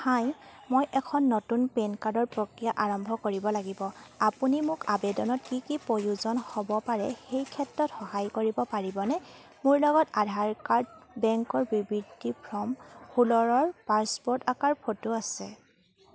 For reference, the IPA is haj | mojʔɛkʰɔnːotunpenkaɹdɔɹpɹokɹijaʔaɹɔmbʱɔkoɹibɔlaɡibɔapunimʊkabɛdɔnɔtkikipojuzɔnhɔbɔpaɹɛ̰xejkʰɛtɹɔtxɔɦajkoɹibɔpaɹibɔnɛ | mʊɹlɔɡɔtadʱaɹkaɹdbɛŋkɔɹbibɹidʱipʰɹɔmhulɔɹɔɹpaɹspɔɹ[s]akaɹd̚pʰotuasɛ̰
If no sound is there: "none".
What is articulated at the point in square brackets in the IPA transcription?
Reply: t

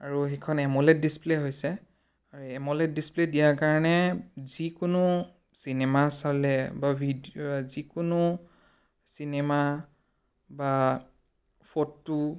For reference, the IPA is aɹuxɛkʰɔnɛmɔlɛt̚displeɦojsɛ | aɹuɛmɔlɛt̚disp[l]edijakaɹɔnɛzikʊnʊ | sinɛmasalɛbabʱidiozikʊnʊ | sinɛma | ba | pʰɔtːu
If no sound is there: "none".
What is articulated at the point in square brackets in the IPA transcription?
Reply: l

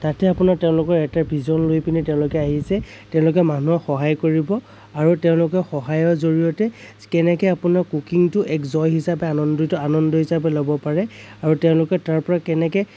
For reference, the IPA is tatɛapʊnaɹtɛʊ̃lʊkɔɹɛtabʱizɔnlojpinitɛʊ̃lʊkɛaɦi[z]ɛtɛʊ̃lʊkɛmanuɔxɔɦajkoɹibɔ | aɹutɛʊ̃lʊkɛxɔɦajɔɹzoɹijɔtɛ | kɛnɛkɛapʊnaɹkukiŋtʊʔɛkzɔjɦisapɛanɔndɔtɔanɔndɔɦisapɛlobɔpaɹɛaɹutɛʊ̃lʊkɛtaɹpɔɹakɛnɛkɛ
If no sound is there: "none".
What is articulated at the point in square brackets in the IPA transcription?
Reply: s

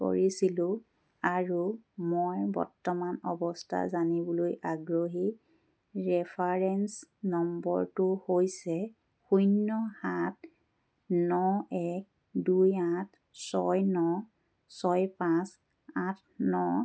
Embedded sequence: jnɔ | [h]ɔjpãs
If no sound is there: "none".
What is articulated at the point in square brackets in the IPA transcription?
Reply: s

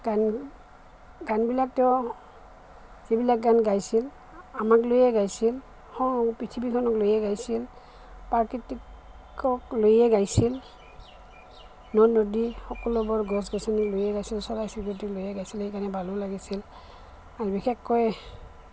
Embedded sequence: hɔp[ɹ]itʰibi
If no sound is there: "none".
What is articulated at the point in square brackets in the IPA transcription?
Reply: ɹ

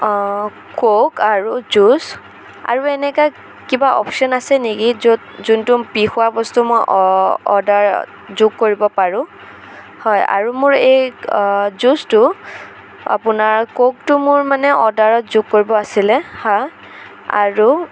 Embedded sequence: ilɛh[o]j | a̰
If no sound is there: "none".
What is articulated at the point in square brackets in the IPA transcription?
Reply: ɔ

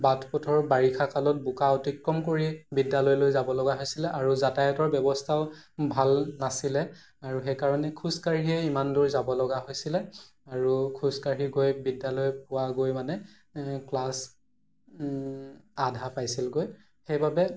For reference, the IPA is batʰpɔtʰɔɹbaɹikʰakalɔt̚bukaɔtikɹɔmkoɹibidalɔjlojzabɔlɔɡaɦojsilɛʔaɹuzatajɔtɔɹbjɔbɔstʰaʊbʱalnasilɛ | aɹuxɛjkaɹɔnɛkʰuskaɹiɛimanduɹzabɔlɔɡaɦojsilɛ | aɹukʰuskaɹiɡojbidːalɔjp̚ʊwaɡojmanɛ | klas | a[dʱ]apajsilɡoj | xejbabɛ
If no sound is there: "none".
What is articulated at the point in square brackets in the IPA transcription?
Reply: dʱ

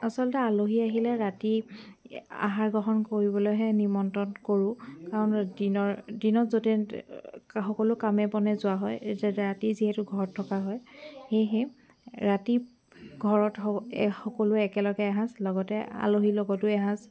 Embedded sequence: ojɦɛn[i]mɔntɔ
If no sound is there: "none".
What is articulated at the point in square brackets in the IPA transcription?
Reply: i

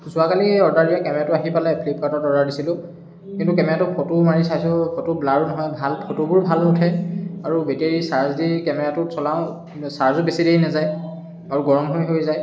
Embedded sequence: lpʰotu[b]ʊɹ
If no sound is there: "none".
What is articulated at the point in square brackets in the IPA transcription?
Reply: b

